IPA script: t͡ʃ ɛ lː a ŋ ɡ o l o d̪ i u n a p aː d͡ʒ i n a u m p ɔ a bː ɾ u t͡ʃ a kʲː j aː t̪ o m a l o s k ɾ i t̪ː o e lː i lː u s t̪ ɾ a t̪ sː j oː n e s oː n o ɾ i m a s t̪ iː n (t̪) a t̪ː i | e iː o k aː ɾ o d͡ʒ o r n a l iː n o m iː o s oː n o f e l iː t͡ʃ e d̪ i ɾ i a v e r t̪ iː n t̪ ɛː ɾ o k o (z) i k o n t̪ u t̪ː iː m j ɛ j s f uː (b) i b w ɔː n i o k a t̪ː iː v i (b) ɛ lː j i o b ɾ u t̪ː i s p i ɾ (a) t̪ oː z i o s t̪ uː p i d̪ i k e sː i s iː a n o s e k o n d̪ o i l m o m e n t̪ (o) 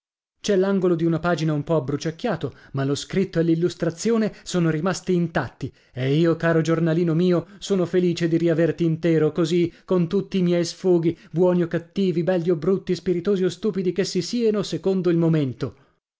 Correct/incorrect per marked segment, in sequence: correct, correct, incorrect: ɡ, correct, incorrect: i, correct

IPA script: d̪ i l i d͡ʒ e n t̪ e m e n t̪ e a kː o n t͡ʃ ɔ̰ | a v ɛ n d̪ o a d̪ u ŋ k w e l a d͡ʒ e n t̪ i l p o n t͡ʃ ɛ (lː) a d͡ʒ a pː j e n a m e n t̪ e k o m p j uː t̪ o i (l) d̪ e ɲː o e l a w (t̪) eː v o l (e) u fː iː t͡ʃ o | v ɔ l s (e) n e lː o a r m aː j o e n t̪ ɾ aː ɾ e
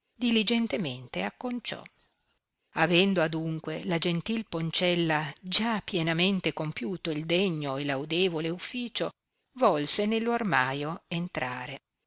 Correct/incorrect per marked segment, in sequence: correct, correct, incorrect: d̪, correct, correct

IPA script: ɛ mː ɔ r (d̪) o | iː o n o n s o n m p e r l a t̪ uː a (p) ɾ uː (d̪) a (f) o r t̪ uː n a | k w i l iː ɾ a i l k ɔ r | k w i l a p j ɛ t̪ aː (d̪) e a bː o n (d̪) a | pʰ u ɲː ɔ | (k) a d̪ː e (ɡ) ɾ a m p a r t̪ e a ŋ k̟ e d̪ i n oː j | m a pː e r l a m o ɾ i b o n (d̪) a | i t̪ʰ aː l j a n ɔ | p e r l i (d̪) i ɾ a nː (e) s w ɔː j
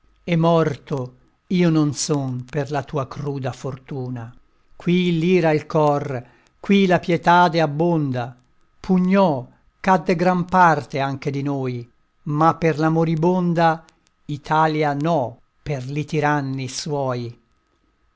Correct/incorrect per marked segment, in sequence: incorrect: t̪, incorrect: k, correct, correct, correct, correct, correct, correct, correct, incorrect: t̪, incorrect: i

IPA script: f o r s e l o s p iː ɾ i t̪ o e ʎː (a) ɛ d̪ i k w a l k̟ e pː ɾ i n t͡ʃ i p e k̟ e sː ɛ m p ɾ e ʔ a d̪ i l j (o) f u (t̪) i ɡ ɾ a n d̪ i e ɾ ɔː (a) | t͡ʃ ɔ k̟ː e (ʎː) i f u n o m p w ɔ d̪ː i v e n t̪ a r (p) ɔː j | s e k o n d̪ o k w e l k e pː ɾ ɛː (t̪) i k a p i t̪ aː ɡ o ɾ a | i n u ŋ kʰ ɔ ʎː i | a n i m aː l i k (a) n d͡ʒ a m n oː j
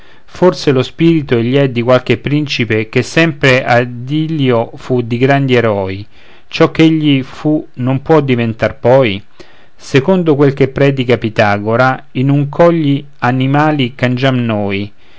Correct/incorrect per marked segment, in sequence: incorrect: i, correct, incorrect: d̪, incorrect: i, correct, correct, incorrect: d̪, correct

